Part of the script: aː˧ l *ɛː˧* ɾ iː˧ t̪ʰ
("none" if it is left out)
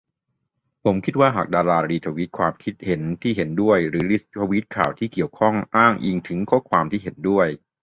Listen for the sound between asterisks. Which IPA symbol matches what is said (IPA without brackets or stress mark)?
aː˧